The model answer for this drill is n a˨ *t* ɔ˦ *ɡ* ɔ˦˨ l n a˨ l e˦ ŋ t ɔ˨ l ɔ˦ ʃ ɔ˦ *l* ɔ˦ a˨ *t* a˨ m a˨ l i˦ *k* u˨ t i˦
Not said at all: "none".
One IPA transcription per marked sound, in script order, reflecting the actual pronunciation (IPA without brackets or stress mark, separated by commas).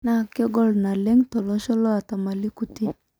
k, ɡ, l, t, k